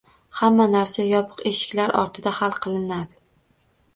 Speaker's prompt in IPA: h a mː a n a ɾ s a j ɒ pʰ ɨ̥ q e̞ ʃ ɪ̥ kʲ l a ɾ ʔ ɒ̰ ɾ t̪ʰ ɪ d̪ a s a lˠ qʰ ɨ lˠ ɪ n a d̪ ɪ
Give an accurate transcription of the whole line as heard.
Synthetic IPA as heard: h a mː a n a ɾ s a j ɒ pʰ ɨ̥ q e̞ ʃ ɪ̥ kʲ l a ɾ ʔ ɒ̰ ɾ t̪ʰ ɪ d̪ a h a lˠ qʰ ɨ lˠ ɪ n a d̪ ɪ